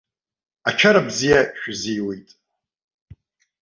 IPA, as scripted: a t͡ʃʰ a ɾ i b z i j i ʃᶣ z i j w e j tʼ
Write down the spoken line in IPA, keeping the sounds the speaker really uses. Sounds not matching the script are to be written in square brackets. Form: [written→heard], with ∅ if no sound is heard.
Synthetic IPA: a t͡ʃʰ a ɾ [i→a] b z i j [i→a] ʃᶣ z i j w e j tʼ